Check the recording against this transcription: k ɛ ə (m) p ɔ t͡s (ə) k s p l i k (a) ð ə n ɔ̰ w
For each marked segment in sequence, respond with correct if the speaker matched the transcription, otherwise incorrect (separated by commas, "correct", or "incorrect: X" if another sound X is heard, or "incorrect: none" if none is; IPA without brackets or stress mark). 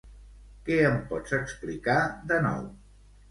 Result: correct, correct, correct